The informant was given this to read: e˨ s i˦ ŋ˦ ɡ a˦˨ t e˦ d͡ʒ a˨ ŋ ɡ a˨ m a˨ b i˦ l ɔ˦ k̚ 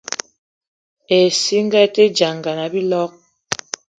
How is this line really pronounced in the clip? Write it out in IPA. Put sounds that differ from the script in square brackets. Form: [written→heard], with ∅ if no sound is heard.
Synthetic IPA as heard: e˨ s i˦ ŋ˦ ɡ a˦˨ t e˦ d͡ʒ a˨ ŋ ɡ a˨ [m→n] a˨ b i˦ l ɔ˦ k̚